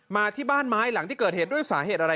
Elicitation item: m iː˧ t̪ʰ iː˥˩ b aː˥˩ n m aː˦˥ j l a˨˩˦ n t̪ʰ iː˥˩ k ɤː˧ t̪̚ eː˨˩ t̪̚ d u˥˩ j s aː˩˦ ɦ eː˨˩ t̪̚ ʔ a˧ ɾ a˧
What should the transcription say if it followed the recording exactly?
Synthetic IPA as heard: m aː˧ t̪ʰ iː˥˩ b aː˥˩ n m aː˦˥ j l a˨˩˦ ŋ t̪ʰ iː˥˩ k ɤː˨˩ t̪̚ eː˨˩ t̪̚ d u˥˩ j s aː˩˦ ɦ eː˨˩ t̪̚ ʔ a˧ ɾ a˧

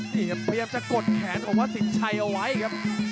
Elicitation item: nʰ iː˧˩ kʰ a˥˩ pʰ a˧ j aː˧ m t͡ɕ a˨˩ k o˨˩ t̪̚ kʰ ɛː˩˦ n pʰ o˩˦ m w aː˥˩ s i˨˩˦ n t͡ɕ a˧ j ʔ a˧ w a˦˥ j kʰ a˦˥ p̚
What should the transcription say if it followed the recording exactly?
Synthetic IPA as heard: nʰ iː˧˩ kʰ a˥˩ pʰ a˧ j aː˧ m t͡ɕ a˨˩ k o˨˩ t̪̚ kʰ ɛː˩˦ n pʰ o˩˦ m w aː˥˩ s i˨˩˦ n t͡ɕʰ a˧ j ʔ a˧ w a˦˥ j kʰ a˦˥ p̚

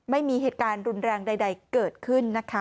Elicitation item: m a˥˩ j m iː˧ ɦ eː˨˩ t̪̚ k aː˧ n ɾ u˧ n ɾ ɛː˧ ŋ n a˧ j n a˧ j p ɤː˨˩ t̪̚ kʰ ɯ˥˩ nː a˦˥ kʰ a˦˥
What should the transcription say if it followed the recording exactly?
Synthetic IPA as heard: m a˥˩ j m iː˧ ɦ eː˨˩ t̪̚ k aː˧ n ɾ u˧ n ɾ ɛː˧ ŋ d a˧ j d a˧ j k ɤː˨˩ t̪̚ kʰ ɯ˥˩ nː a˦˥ kʰ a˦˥

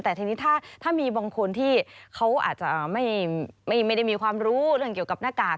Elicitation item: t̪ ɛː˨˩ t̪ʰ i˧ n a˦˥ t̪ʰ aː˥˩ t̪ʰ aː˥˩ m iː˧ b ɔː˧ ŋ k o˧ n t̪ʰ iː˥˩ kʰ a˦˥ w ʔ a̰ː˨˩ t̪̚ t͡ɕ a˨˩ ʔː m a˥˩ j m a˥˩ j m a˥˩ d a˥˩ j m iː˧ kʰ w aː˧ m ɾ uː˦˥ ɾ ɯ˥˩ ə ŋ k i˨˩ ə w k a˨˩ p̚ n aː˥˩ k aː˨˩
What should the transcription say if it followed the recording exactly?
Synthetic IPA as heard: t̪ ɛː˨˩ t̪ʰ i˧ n i˦˥ t̪ʰ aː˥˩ t̪ʰ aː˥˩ m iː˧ b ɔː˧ ŋ kʰ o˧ n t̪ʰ iː˥˩ kʰ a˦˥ w ʔ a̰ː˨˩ t̪̚ t͡ɕ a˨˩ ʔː m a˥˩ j m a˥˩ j m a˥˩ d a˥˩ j m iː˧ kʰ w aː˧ m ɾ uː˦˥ ɾ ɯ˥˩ ə ŋ k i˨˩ ə w k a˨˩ p̚ n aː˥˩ k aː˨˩

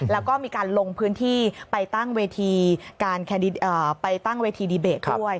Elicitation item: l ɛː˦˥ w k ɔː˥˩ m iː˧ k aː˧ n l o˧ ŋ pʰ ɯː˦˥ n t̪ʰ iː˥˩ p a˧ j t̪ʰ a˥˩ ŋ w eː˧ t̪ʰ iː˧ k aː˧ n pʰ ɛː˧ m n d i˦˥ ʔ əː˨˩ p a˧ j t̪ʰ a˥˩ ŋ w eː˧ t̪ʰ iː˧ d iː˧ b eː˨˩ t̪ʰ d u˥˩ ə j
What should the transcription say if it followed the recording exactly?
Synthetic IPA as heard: l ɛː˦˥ w k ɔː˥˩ m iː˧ k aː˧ n l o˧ ŋ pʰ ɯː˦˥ n t̪ʰ iː˥˩ p a˧ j t̪ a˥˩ ŋ w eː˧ t̪ʰ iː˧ k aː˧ n kʰ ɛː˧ n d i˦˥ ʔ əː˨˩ p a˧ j t̪ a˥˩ ŋ w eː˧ t̪ʰ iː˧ d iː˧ b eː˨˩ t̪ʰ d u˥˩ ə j

